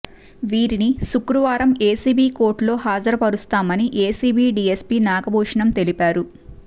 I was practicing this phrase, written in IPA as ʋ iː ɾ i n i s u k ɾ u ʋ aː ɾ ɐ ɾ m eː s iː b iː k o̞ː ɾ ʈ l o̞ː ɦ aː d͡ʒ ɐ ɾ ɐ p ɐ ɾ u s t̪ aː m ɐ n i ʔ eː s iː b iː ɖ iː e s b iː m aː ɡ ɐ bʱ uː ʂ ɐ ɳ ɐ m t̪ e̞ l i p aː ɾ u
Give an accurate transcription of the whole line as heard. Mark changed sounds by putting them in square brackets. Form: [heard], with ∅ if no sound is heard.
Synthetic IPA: ʋ iː ɾ i n i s u k ɾ u ʋ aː ɾ ɐ [∅] m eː s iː b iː k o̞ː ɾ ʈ l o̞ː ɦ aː d͡ʒ ɐ ɾ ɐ p ɐ ɾ u s t̪ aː m ɐ n i ʔ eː s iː b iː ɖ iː e s [p] iː [n] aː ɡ ɐ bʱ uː ʂ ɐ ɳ ɐ m t̪ e̞ l i p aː ɾ u